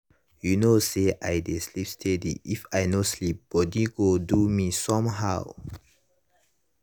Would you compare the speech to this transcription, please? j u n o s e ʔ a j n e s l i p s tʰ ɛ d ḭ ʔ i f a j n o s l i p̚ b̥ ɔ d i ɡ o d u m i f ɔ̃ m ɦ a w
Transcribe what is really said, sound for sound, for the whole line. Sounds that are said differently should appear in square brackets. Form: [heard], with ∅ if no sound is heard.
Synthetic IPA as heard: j u n o s e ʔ a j [d] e s l i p s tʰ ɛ d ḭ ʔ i f a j n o s l i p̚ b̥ ɔ d i ɡ o d u m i [s] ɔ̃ m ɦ a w